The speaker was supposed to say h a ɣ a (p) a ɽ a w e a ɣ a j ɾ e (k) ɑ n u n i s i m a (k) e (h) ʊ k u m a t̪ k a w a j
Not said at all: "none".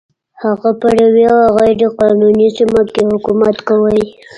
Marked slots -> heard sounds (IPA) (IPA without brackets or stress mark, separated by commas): p, q, k, h